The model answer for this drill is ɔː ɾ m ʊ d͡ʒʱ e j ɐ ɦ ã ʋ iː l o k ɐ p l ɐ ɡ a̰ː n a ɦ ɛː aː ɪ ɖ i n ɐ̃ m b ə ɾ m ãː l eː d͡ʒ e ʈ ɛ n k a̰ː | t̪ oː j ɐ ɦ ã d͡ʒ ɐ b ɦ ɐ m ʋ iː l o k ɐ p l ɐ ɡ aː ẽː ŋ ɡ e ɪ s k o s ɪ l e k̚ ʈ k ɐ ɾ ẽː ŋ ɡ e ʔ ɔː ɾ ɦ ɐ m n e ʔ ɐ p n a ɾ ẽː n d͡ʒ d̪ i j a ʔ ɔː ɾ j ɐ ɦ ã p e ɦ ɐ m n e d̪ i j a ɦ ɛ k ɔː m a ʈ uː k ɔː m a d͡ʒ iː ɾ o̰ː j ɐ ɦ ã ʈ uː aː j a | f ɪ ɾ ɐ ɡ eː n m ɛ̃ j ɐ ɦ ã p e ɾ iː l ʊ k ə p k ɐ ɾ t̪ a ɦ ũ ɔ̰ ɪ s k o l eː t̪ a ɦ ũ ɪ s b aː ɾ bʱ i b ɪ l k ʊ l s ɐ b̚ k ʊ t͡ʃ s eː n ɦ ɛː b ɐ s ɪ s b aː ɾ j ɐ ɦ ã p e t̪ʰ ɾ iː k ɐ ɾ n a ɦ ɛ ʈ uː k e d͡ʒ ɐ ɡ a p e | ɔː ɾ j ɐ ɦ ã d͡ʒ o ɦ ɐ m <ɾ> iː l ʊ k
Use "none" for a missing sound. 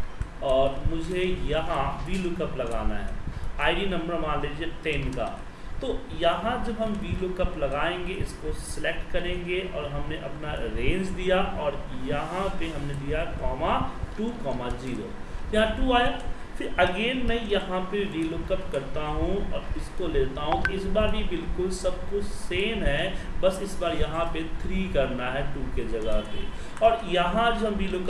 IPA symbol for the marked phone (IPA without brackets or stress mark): ɾ